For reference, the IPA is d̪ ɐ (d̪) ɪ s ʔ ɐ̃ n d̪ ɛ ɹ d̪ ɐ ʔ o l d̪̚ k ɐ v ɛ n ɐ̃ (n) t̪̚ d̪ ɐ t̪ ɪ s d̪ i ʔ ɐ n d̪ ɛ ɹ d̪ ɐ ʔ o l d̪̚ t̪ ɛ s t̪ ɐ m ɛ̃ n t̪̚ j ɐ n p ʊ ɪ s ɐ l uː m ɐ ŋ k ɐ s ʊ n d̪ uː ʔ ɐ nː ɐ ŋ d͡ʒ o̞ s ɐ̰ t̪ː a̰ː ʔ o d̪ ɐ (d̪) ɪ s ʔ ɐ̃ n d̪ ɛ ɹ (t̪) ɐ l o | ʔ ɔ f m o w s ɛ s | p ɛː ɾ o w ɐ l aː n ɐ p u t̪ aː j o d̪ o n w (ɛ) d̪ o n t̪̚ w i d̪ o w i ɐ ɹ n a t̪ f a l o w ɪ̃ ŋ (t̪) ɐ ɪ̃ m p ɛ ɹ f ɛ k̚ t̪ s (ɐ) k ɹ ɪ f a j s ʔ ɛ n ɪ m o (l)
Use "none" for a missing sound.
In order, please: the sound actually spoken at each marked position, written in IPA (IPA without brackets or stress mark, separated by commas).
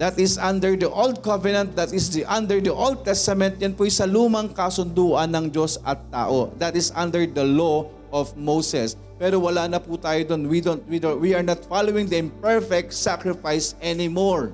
t̪, n, t̪, d̪, i, d̪, a, ɹ